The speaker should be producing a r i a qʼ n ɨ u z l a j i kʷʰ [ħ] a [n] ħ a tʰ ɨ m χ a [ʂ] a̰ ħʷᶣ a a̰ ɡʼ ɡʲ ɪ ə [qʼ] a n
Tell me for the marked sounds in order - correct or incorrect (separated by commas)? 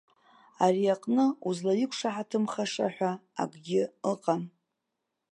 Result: incorrect, incorrect, correct, correct